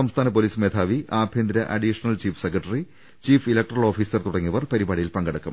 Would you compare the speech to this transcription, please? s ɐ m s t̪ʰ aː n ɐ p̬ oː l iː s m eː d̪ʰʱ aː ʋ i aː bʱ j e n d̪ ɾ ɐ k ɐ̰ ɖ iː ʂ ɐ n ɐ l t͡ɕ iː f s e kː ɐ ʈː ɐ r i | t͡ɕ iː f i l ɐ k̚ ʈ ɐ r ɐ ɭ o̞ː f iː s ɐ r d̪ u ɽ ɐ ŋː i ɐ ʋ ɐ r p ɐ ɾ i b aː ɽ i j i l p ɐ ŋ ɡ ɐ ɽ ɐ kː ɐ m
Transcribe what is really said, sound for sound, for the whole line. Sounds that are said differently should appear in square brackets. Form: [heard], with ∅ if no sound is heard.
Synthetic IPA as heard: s ɐ m s t̪ʰ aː n ɐ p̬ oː l iː s m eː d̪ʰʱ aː ʋ i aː bʱ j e n d̪ ɾ ɐ [ʔ] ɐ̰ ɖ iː ʂ ɐ n ɐ l t͡ɕ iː f s e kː ɐ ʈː ɐ r i | t͡ɕ iː f i l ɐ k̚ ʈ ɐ r ɐ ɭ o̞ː f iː s ɐ r [t̪] u ɽ ɐ ŋː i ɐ ʋ ɐ r p ɐ ɾ i b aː ɽ i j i l p ɐ ŋ ɡ ɐ ɽ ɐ kː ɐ m